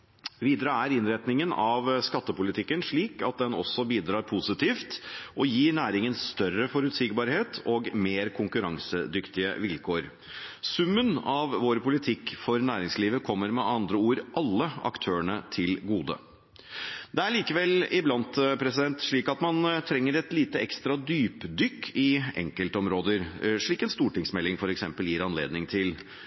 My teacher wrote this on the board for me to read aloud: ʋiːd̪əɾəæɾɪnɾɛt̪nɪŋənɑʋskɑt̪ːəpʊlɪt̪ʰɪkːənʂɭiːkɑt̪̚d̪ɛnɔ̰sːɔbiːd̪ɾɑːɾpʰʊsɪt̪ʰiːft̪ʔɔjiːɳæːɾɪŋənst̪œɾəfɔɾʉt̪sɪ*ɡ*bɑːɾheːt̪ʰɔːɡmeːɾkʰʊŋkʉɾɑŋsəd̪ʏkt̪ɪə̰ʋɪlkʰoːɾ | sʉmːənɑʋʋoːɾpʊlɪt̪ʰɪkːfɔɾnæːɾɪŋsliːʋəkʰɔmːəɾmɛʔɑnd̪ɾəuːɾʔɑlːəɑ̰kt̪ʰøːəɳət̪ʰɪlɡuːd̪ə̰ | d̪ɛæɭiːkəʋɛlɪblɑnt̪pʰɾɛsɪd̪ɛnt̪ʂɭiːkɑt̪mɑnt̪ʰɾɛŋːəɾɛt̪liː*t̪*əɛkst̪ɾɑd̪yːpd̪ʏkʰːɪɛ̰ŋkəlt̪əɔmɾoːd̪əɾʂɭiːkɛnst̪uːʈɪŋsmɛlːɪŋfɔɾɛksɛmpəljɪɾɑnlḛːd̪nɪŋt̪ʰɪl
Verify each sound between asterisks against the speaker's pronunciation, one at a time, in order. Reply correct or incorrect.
correct, correct

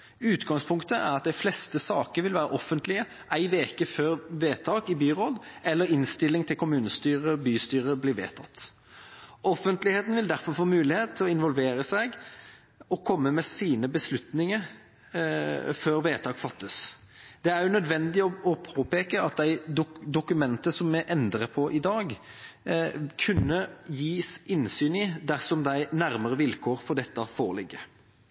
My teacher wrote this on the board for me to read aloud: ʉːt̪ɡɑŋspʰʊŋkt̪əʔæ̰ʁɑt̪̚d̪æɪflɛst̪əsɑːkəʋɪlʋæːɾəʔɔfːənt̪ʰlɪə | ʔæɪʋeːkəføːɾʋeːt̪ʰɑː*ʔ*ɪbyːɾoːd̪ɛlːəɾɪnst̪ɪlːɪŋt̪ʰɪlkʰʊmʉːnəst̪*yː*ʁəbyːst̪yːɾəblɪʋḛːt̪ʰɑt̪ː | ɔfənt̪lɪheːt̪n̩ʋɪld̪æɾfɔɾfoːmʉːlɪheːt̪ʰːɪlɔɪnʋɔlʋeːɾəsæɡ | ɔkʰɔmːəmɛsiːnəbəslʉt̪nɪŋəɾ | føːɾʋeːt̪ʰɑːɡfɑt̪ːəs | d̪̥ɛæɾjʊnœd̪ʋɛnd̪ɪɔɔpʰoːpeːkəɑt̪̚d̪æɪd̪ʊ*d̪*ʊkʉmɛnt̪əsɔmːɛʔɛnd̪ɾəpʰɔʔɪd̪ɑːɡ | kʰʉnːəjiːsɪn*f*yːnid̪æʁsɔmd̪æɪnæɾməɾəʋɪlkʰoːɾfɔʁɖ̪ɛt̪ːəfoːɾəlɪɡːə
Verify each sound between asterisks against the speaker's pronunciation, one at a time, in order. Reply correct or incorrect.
incorrect: k, correct, correct, incorrect: s

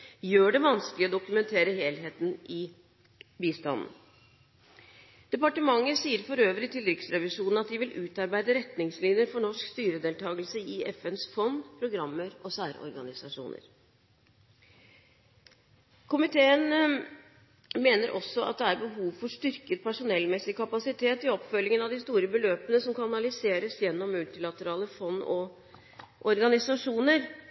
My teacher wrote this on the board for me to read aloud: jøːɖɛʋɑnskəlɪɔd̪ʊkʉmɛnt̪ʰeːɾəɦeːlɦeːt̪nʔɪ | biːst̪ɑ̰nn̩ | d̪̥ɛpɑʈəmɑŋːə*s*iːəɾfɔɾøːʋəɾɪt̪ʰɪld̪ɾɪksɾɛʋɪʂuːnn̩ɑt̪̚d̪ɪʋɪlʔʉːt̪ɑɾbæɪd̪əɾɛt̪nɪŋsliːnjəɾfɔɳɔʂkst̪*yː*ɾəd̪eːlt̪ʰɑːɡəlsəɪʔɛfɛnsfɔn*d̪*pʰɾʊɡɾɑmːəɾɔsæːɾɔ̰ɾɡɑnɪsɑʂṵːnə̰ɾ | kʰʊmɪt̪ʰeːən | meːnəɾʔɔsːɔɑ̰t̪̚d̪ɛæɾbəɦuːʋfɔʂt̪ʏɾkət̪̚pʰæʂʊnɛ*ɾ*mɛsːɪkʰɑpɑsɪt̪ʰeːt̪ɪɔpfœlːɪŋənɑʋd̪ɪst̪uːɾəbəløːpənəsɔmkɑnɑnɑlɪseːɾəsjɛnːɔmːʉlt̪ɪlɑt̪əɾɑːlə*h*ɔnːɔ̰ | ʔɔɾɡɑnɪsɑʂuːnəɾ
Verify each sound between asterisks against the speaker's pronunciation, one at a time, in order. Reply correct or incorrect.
correct, correct, correct, incorrect: l, incorrect: f

